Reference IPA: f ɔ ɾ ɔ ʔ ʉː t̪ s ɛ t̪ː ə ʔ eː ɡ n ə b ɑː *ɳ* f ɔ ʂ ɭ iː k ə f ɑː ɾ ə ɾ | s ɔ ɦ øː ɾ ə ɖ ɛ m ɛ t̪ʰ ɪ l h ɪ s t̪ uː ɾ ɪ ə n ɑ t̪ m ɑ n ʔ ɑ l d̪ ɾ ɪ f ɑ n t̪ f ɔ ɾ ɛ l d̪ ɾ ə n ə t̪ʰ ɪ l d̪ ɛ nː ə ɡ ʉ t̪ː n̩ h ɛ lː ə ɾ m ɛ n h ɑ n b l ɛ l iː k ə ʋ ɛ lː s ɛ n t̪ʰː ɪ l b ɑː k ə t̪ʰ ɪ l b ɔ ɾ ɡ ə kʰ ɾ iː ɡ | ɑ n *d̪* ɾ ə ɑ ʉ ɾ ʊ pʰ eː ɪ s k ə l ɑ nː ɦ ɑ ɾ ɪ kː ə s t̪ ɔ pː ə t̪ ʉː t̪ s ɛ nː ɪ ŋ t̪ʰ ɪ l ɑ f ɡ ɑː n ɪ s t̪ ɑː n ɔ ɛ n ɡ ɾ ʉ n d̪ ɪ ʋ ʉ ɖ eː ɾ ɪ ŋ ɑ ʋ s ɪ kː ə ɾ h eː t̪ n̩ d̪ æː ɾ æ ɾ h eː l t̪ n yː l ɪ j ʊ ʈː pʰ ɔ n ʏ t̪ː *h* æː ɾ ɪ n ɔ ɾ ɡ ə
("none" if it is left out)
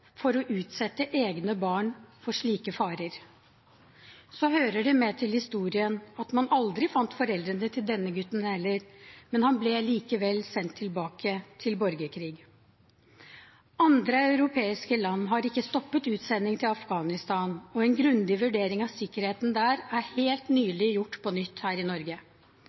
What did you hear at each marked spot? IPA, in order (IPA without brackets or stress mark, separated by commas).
ɳ, d̪, h